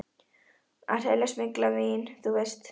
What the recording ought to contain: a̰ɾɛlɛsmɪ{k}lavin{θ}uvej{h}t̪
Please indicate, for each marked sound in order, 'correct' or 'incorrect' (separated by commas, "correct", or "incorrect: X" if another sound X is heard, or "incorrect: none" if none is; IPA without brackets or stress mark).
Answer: correct, correct, incorrect: s